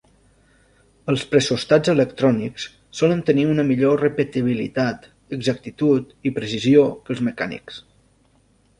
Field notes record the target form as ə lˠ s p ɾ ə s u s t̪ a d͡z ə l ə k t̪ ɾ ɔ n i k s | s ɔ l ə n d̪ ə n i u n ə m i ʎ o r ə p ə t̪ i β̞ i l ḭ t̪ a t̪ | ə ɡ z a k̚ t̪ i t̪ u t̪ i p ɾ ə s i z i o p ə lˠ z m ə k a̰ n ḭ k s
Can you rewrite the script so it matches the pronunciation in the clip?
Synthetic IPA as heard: ə lˠ s p ɾ ə s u s t̪ a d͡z ə l ə k t̪ ɾ ɔ n i k s | s ɔ l ə n t̪ ə n i u n ə m i ʎ o r ə p ə t̪ i β̞ i l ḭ t̪ a t̪ | ə ɡ z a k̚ t̪ i t̪ u t̪ i p ɾ ə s i z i o k ə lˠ z m ə k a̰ n ḭ k s